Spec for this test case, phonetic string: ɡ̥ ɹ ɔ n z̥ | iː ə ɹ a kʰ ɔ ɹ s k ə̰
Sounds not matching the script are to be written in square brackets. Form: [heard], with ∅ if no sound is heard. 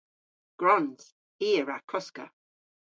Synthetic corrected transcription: ɡ̥ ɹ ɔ n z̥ | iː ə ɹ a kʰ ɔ [∅] s k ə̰